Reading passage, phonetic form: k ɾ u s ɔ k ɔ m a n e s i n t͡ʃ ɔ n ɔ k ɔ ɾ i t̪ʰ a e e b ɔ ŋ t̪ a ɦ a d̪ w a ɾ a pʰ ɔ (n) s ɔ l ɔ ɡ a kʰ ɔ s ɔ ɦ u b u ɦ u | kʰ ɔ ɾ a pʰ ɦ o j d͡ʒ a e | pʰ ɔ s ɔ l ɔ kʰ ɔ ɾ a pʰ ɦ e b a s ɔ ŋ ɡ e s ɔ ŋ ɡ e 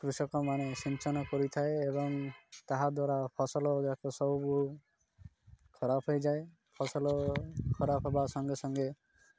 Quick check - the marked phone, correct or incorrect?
incorrect